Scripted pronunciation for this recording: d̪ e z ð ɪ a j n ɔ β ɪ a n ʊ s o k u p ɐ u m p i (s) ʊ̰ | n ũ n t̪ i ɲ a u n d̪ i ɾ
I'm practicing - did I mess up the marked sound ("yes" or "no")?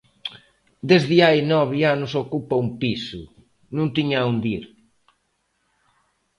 no